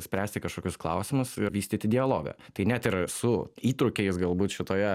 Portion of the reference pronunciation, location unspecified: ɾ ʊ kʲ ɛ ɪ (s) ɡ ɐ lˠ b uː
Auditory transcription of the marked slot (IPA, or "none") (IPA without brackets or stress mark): s